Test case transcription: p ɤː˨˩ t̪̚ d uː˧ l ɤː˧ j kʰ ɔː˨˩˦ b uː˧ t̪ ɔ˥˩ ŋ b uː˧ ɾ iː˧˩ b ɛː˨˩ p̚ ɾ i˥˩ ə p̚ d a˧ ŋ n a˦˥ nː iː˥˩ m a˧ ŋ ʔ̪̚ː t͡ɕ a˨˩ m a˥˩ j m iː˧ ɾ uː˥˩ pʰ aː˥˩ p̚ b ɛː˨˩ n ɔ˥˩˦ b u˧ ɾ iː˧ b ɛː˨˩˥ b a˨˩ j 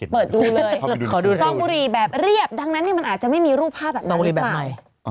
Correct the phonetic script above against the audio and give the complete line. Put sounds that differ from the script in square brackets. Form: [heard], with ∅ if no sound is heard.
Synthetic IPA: p ɤː˨˩ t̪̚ d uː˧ l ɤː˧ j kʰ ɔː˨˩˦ [d] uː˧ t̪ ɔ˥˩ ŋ b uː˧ ɾ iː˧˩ b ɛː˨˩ p̚ ɾ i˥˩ ə p̚ d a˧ ŋ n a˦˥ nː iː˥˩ m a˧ [n] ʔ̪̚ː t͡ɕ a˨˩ m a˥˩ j m iː˧ ɾ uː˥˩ pʰ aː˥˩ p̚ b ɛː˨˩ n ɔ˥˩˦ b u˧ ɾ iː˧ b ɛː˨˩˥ [m] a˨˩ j